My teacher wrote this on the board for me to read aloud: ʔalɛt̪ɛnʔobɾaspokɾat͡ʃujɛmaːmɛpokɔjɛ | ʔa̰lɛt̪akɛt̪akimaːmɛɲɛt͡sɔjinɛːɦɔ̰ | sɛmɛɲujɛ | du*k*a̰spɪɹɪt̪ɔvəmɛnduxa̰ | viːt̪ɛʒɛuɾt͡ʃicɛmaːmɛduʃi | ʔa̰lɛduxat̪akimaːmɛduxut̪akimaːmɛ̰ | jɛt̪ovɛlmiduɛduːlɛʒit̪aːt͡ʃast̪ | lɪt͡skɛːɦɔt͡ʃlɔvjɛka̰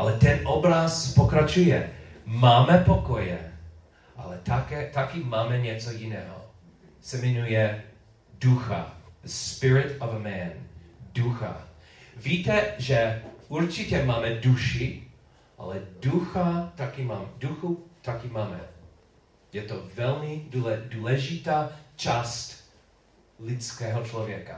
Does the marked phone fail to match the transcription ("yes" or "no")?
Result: yes